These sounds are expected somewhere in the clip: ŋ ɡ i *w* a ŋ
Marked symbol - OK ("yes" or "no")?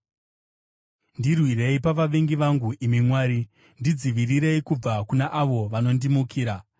no